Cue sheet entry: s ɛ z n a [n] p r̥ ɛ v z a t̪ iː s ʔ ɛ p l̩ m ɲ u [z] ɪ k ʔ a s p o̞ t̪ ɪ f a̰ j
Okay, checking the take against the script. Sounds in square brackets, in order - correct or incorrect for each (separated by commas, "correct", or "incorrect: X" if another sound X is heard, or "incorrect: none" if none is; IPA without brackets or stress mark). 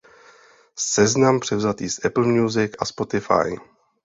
incorrect: m, correct